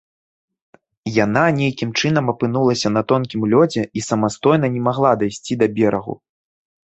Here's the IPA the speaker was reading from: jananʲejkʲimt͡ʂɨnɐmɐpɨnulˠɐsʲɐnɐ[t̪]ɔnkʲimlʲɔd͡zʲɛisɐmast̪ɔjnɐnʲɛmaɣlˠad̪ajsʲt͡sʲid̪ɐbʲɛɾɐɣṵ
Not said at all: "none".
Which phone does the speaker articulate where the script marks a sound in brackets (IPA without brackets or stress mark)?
t̪